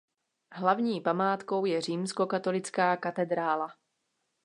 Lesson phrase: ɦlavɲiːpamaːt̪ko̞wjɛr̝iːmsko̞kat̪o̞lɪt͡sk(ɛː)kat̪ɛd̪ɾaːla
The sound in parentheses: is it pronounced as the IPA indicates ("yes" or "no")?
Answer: no